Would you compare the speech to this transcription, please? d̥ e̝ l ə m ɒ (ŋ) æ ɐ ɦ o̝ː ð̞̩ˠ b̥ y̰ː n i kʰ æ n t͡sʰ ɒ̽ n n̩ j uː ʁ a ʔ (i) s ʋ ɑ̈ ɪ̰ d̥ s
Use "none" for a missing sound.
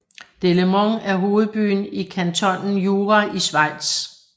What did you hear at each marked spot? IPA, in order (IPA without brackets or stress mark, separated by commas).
ŋ, i